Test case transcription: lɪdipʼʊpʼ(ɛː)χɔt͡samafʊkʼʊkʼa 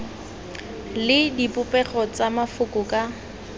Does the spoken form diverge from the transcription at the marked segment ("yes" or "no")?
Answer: yes